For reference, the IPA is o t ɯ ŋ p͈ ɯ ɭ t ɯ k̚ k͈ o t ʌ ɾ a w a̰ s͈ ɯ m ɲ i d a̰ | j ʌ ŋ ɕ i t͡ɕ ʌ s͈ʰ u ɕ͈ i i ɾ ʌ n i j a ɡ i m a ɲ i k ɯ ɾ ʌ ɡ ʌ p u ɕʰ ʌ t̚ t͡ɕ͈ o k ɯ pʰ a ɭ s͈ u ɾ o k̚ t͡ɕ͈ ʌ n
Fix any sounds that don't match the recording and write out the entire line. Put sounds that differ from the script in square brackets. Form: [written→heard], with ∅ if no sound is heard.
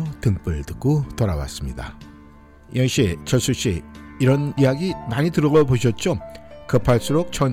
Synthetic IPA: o t ɯ ŋ p͈ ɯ ɭ t ɯ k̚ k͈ o t ʌ ɾ a w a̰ s͈ ɯ m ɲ i d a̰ | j ʌ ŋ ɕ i t͡ɕ ʌ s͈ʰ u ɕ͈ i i ɾ ʌ n i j a ɡ i m a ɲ i [k→t] ɯ ɾ ʌ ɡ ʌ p [u→o] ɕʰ ʌ t̚ t͡ɕ͈ o k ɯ pʰ a ɭ s͈ u ɾ o k̚ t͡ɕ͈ ʌ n